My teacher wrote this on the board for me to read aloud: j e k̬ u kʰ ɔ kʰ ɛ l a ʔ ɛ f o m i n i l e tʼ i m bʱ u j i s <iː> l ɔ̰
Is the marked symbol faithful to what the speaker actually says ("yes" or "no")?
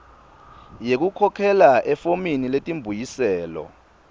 no